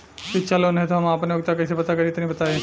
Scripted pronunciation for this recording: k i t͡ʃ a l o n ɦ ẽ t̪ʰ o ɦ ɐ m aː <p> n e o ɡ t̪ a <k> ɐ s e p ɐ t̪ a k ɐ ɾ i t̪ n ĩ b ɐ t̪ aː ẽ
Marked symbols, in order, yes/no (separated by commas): yes, yes